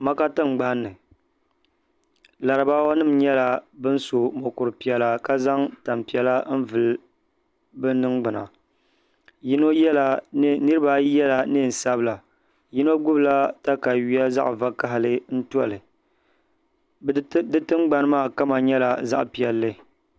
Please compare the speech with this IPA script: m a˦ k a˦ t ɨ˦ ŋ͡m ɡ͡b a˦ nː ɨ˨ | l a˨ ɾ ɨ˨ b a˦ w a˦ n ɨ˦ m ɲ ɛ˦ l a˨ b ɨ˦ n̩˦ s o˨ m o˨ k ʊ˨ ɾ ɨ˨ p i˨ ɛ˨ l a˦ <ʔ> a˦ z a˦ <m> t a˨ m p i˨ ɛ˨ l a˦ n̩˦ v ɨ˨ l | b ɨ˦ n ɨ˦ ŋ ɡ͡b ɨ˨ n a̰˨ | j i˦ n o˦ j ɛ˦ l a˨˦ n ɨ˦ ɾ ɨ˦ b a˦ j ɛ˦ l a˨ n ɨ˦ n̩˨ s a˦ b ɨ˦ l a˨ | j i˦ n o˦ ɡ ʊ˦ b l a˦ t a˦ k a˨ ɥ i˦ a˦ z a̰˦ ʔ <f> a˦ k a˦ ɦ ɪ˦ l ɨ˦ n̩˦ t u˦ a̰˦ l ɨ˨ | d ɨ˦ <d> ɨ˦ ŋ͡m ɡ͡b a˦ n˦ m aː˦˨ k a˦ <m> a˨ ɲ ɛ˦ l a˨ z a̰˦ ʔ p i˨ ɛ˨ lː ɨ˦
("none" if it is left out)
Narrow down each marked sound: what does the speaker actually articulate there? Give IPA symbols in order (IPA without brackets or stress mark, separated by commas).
k, ŋ, v, t, m